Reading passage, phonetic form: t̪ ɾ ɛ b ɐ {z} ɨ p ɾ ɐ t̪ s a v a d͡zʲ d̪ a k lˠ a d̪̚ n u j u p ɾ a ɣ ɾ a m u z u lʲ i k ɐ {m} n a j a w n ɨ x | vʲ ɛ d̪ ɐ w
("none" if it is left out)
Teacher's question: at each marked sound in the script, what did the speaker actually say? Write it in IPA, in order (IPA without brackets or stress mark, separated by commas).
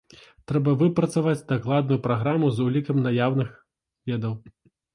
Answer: v, m